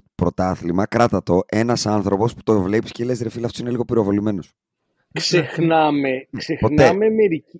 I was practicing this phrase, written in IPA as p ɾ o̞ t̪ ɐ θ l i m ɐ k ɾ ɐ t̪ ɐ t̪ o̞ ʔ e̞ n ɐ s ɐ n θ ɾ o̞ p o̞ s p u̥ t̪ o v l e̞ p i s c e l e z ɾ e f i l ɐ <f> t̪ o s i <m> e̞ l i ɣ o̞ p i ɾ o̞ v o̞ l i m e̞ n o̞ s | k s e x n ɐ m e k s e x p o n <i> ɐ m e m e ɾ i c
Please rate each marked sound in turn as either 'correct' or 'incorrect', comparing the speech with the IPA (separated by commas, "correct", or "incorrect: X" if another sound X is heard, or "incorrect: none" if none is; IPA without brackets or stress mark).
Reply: correct, incorrect: n, incorrect: e